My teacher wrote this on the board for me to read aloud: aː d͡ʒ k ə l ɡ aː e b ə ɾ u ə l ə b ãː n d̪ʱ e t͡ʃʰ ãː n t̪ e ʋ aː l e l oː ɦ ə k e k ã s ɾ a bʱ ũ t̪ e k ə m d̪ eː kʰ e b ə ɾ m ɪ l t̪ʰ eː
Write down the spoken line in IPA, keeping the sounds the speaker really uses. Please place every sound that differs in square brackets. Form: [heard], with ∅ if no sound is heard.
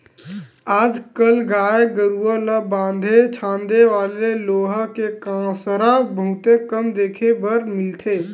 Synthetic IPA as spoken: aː d͡ʒ k ə l ɡ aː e [ɡ] ə ɾ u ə l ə b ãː n d̪ʱ e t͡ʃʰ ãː n [d̪] e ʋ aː l e l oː ɦ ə k e k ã s ɾ a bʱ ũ t̪ e k ə m d̪ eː kʰ e b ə ɾ m ɪ l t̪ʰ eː